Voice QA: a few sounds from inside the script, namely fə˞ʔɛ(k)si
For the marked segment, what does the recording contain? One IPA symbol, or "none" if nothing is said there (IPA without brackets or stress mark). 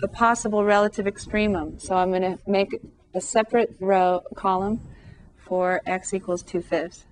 k